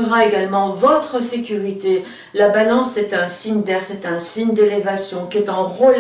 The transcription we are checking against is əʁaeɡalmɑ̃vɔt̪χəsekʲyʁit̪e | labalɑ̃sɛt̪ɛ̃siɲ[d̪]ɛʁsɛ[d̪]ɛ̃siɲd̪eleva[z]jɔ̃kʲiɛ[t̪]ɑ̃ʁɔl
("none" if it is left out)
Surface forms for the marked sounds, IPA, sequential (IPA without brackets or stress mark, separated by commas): d̪, t̪, s, t̪